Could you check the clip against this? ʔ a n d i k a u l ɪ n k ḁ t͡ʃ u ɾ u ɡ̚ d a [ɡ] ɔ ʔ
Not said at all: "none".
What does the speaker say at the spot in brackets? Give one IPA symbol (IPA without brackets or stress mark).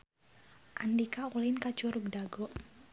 ɡ